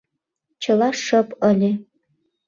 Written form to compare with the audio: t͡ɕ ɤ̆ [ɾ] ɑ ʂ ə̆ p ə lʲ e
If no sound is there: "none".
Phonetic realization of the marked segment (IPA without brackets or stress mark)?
l